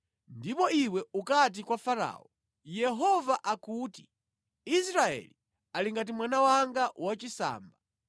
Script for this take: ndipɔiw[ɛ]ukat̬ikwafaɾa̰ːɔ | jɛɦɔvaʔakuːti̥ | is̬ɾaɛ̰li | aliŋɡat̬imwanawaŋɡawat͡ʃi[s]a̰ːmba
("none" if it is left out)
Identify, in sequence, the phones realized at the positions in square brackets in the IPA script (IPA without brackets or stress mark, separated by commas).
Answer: ɛ, s